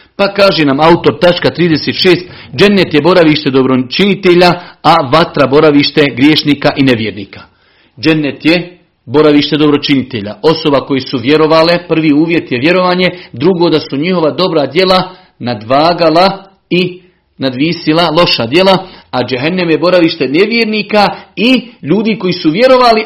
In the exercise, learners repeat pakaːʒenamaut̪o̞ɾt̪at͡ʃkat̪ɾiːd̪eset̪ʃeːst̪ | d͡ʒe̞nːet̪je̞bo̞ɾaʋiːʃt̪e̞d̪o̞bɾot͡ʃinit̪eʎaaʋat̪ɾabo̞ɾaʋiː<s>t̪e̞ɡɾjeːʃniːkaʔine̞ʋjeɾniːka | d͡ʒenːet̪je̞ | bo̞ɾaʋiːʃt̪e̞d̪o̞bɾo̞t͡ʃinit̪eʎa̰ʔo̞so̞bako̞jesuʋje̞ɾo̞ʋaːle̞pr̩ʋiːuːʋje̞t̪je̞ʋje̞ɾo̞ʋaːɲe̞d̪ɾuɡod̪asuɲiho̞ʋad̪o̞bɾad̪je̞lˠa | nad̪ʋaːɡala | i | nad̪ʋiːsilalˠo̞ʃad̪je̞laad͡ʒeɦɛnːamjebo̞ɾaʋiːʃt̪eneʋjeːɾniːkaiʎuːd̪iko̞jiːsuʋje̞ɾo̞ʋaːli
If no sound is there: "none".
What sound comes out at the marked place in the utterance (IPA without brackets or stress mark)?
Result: ʃ